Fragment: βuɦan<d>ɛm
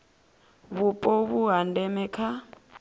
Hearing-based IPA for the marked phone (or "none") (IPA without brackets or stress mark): d